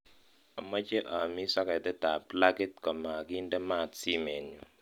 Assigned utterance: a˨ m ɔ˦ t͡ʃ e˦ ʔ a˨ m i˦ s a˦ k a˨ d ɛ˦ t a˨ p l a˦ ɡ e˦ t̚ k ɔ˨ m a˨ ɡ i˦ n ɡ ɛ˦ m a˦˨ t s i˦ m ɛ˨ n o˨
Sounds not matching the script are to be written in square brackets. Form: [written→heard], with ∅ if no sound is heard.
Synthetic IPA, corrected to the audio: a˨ m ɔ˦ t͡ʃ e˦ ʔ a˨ m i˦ s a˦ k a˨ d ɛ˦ t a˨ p l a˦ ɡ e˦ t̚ k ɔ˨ m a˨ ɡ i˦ n [ɡ→d] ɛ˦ m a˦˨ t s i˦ m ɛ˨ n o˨